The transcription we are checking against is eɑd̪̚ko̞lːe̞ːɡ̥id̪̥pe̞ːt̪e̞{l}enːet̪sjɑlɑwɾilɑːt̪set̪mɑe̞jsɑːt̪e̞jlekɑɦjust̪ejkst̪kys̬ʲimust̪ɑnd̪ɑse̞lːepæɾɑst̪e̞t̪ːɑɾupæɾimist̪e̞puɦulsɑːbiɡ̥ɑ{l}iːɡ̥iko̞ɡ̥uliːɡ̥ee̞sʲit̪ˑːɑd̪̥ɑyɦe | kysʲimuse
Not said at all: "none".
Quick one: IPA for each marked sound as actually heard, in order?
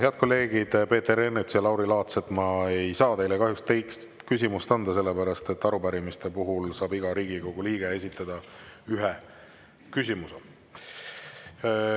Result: ɾ, ɾ

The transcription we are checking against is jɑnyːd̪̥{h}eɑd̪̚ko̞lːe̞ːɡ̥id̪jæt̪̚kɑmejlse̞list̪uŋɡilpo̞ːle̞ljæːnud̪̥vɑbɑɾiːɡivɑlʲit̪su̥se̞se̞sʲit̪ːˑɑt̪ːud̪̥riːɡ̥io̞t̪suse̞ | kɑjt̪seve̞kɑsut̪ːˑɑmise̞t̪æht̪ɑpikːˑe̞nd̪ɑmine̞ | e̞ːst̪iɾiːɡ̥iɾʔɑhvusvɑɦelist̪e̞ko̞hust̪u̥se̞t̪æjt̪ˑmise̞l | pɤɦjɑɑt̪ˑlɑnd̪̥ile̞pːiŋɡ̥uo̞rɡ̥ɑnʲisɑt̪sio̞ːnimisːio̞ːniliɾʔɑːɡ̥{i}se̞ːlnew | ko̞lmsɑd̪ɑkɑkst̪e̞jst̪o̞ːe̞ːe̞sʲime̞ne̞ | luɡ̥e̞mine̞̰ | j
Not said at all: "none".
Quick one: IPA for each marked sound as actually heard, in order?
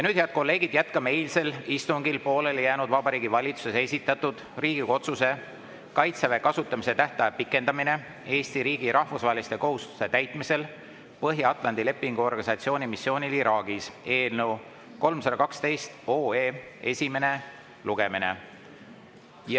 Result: h, i

